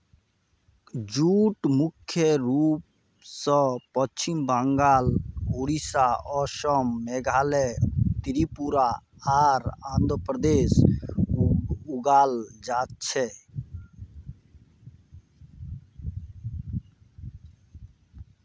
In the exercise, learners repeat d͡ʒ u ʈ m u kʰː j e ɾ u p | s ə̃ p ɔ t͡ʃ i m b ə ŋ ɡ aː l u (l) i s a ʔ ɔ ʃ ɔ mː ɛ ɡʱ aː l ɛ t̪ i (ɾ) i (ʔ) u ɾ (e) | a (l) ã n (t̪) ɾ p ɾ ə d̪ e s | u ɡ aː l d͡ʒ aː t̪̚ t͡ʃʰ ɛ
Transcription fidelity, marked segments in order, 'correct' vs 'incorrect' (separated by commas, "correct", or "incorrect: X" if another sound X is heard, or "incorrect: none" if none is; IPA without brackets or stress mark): incorrect: ɾ, correct, incorrect: p, incorrect: a, incorrect: ɾ, incorrect: d̪